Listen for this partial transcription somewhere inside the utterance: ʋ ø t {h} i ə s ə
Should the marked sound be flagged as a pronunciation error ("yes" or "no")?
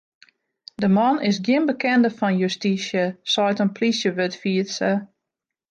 yes